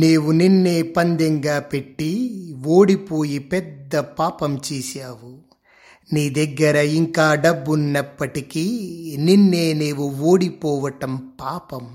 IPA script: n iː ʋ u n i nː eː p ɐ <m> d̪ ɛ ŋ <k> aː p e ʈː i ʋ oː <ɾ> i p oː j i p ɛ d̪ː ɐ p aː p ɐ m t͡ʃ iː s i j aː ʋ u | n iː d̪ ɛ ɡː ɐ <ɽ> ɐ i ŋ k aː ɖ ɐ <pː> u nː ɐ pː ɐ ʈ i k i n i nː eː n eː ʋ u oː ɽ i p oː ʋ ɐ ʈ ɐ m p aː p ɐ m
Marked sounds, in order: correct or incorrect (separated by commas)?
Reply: incorrect, incorrect, incorrect, incorrect, incorrect